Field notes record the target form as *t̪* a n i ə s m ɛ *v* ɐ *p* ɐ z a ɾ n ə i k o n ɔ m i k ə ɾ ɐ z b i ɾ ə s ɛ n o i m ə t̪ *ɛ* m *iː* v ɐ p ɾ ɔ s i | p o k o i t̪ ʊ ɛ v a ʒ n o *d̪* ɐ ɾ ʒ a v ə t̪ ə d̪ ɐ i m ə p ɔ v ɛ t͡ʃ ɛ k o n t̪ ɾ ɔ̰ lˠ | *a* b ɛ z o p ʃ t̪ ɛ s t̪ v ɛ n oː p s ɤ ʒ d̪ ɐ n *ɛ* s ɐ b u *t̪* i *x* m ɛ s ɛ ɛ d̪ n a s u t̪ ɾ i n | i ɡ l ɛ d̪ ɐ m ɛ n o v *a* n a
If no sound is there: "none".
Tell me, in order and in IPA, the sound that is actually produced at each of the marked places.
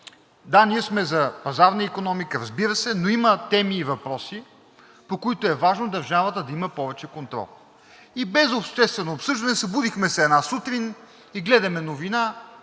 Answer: d̪, z, p, ɛ, iː, d̪, i, ɛ, d̪, x, i

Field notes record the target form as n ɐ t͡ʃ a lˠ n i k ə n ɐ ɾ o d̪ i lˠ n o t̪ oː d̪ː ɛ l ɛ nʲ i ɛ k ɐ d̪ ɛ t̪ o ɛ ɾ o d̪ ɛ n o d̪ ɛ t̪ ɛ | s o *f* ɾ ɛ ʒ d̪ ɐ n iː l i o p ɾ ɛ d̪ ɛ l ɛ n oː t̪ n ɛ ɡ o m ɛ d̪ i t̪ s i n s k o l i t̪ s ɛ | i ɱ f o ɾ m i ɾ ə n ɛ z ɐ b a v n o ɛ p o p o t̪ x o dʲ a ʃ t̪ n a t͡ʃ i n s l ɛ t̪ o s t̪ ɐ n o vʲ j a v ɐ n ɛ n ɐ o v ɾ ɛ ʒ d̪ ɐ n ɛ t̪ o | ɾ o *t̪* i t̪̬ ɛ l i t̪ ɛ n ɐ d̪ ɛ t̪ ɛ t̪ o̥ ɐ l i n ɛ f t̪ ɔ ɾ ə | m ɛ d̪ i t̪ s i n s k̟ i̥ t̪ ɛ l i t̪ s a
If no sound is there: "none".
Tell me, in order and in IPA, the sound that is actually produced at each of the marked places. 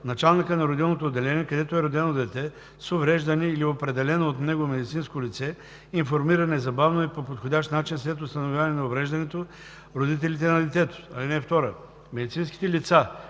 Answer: v, d̪

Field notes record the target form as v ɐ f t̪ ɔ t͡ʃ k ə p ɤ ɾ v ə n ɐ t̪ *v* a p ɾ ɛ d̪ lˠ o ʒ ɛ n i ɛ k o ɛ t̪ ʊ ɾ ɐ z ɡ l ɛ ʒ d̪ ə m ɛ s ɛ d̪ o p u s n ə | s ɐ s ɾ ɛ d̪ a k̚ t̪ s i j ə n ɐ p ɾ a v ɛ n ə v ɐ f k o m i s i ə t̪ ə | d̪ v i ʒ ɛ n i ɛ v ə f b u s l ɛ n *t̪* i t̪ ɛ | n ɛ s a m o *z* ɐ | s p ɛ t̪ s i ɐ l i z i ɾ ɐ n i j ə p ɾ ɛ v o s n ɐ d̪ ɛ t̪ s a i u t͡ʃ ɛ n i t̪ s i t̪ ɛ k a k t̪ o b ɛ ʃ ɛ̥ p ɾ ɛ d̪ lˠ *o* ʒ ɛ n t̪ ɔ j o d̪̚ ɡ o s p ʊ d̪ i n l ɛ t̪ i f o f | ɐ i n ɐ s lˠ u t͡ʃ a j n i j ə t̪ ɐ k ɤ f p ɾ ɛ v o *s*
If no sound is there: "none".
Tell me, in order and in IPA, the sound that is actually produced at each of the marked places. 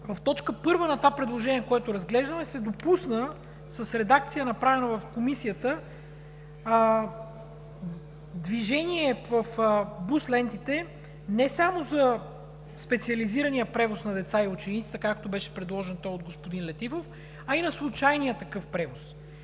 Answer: v, t̪, z, ɔ, s

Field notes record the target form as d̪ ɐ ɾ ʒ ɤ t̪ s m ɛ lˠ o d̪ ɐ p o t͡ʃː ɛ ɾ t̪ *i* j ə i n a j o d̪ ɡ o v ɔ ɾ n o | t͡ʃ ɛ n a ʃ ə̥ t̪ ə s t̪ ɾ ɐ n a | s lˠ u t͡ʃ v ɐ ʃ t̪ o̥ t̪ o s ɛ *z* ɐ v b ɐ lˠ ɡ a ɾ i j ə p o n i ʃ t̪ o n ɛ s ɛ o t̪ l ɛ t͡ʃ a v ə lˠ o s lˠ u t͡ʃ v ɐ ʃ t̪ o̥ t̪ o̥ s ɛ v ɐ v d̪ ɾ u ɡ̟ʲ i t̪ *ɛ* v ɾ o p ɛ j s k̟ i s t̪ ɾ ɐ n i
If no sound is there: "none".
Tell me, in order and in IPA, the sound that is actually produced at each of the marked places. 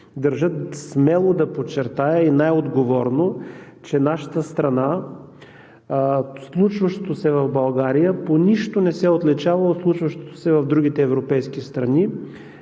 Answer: a, v, ɛː

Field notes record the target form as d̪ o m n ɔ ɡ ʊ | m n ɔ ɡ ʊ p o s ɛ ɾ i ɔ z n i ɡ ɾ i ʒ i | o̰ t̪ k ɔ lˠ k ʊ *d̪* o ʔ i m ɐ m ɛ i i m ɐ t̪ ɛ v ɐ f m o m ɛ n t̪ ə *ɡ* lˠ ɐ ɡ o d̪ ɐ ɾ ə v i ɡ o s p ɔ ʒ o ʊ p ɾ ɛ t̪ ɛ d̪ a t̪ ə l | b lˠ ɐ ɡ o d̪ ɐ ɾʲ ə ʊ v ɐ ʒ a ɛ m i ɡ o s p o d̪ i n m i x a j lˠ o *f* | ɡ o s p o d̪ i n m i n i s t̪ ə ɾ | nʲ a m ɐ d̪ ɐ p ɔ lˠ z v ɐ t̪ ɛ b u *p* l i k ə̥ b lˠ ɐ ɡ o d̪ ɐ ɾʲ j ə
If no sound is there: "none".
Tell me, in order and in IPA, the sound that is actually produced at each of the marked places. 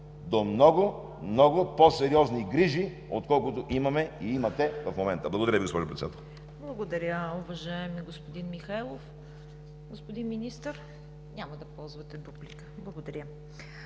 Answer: t̪, b, f, b

